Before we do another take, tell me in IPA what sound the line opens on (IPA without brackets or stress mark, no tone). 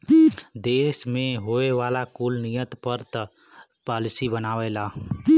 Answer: d̪